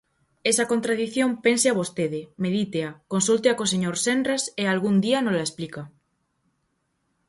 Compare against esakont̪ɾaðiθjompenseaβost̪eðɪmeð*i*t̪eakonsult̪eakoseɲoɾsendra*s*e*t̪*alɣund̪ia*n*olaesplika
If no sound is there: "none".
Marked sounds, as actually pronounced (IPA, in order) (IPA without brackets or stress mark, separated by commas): i, s, none, n